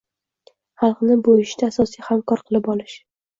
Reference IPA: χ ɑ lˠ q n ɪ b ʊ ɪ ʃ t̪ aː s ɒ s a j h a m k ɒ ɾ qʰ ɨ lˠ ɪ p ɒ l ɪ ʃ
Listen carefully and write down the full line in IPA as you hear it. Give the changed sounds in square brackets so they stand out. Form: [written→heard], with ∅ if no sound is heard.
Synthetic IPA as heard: χ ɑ lˠ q n ɪ b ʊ ɪ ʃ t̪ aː s ɒ s [a→i] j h a m k ɒ ɾ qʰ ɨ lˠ ɪ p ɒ l ɪ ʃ